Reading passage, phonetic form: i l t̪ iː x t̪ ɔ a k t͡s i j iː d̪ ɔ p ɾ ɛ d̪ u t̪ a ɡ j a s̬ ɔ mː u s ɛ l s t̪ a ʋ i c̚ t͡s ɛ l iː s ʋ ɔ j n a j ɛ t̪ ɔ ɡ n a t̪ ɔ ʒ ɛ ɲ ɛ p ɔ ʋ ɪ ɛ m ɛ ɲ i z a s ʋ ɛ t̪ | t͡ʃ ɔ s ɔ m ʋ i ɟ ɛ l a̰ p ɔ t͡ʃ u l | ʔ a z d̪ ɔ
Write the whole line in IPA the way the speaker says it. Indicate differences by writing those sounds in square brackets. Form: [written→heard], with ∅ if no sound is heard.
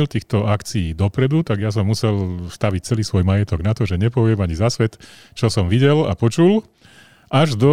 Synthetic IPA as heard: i l t̪ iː x t̪ ɔ a k t͡s i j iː d̪ ɔ p ɾ ɛ d̪ u t̪ a ɡ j a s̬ ɔ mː u s ɛ l s t̪ a ʋ i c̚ t͡s ɛ l iː s ʋ ɔ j [n→m] a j ɛ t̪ ɔ ɡ n a t̪ ɔ ʒ ɛ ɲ ɛ p ɔ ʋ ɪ ɛ m [ɛ→a] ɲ i z a s ʋ ɛ t̪ | t͡ʃ ɔ s ɔ m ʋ i ɟ ɛ l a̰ p ɔ t͡ʃ u l | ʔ a [z→ʒ] d̪ ɔ